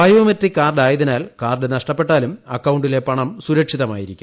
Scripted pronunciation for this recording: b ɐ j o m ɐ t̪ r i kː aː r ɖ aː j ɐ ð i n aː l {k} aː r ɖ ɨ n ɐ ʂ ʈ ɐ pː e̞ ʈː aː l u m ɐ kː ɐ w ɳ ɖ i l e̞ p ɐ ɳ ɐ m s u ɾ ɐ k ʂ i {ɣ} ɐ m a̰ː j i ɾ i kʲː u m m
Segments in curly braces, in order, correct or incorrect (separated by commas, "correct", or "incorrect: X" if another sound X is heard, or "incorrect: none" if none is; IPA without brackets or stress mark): correct, incorrect: ð